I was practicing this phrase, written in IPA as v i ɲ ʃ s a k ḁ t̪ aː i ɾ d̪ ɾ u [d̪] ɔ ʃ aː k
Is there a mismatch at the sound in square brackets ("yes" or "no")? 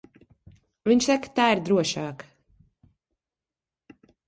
yes